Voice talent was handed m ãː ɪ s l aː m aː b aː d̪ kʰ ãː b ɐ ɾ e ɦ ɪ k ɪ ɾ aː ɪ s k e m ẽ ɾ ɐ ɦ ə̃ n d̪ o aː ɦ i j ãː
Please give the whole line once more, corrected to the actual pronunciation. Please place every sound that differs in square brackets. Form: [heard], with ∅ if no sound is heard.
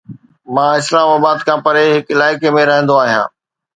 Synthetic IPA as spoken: m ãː ɪ s l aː m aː b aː d̪ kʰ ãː [p] ɐ ɾ e ɦ ɪ k ɪ [l] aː ɪ [∅] k e m ẽ ɾ ɐ ɦ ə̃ n d̪ o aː ɦ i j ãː